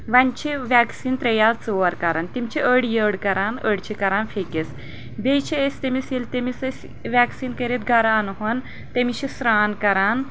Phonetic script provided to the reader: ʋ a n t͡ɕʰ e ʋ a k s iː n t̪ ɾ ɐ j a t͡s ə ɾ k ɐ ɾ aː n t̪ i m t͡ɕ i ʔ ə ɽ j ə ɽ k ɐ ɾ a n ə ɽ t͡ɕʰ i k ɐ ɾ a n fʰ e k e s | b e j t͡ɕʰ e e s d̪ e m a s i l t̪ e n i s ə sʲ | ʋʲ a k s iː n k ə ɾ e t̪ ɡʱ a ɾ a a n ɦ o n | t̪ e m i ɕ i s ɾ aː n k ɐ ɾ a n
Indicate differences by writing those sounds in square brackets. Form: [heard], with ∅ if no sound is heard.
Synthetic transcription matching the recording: ʋ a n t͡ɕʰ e ʋ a k s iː n t̪ ɾ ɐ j a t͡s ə ɾ k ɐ ɾ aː n t̪ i m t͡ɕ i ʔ ə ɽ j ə ɽ k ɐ ɾ a n ə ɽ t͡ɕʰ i k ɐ ɾ a n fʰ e k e s | b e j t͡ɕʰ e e s [t̪] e m [i] s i l t̪ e [m] i s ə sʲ | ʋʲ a k s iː n k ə ɾ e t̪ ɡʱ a ɾ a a n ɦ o n | t̪ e m i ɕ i s ɾ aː n k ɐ ɾ a n